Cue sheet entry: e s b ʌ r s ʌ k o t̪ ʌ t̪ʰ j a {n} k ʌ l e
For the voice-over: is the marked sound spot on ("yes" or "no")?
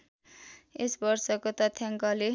no